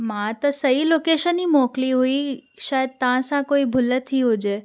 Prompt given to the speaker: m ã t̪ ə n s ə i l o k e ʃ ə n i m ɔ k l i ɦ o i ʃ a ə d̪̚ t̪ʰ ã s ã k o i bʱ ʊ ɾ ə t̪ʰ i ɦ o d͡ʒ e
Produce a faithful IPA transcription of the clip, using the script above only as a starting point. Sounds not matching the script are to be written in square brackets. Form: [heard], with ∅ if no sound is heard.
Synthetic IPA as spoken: m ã t̪ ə [∅] s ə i l o k e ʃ ə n i m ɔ k l i ɦ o i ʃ a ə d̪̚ [t̪] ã s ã k o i bʱ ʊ [l] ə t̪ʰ i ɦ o d͡ʒ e